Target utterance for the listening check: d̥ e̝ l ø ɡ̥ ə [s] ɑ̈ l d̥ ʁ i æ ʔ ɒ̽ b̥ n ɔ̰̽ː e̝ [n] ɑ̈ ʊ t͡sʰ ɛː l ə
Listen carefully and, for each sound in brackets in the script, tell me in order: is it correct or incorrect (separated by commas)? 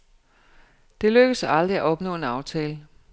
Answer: correct, correct